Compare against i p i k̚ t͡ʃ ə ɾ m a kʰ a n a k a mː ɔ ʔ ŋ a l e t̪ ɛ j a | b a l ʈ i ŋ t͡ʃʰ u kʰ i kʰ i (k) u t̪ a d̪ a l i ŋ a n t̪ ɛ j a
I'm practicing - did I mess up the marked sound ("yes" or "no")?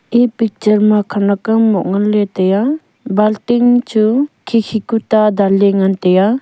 no